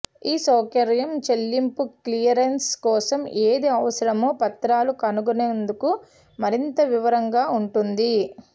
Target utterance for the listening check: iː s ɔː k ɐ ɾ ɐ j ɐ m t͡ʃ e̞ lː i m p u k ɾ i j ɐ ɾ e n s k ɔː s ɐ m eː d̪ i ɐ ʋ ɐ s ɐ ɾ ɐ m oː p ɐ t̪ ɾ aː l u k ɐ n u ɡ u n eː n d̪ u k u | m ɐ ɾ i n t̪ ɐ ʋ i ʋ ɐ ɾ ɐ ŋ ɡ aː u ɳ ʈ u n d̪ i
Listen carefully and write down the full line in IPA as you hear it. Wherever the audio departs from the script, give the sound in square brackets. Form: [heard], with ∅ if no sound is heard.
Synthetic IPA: iː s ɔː k ɐ ɾ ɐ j ɐ m t͡ʃ e̞ lː i m p u k [l] i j ɐ ɾ e n s k ɔː s ɐ m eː d̪ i ɐ ʋ ɐ s ɐ ɾ ɐ m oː p ɐ t̪ ɾ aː l u k ɐ n u ɡ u n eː n d̪ u k u | m ɐ ɾ i n t̪ ɐ ʋ i ʋ ɐ ɾ ɐ ŋ ɡ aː u ɳ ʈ u n d̪ i